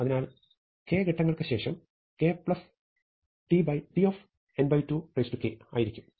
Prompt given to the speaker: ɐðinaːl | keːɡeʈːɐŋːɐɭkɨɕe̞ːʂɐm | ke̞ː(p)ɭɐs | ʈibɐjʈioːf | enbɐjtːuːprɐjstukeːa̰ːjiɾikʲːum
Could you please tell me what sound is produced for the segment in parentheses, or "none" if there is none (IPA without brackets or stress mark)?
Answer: p